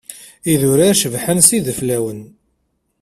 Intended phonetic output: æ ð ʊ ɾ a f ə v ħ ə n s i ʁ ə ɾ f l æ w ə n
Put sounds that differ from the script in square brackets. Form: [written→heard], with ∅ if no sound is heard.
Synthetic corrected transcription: [æ→i] ð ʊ ɾ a [f→ʃ] ə v ħ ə n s i [ʁ→ð] ə [ɾ→∅] f l æ w ə n